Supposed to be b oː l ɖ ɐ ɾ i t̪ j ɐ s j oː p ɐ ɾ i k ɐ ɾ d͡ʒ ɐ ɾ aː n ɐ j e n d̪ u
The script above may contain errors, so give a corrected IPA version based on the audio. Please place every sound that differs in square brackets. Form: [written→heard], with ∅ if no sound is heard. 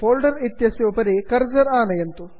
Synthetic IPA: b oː l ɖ ɐ ɾ i t̪ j ɐ s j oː p ɐ ɾ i k ɐ ɾ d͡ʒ ɐ ɾ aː n ɐ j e n [d̪→t̪] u